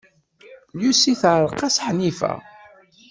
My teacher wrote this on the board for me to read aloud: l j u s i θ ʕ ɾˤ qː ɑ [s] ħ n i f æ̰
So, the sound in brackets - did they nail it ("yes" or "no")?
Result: yes